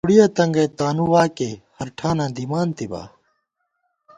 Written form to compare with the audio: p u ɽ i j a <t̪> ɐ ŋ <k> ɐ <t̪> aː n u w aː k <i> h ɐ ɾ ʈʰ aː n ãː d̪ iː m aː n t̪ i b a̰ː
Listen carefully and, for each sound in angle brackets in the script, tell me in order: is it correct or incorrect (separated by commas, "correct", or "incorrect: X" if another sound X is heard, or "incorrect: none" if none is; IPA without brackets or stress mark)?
correct, incorrect: ɡ, correct, incorrect: e